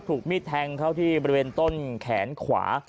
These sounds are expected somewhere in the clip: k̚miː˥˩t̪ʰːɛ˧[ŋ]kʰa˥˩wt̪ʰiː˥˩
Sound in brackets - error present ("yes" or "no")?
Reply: no